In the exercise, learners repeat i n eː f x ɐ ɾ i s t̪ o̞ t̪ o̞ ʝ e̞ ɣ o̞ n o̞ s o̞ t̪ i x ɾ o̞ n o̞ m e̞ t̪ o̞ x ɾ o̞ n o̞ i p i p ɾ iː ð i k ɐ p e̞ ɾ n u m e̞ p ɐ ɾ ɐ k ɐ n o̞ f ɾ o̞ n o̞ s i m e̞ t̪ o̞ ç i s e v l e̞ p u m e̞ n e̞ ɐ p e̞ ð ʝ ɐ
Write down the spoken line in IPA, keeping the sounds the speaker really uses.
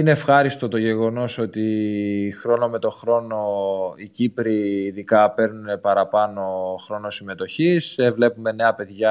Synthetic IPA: i n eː f x ɐ ɾ i s t̪ o̞ t̪ o̞ ʝ e̞ ɣ o̞ n o̞ s o̞ t̪ i x ɾ o̞ n o̞ m e̞ t̪ o̞ x ɾ o̞ n o̞ i c i p ɾ iː ð i k ɐ p e̞ ɾ n u n e̞ p ɐ ɾ ɐ p ɐ n o̞ x ɾ o̞ n o̞ s i m e̞ t̪ o̞ ç i s e v l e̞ p u m e̞ n e̞ ɐ p e̞ ð ʝ ɐ